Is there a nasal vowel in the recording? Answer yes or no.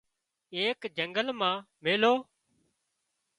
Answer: yes